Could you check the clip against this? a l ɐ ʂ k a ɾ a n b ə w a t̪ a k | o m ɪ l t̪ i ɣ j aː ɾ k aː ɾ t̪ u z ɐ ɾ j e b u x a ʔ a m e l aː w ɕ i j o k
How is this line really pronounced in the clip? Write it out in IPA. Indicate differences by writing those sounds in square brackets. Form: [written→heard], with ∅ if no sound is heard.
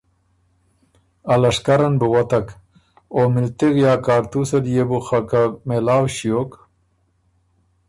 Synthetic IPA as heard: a l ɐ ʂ k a ɾ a n b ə w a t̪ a k | o m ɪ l t̪ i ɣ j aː [ɾ→∅] k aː ɾ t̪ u [z→s] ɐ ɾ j e b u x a [ʔ→k] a m e l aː w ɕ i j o k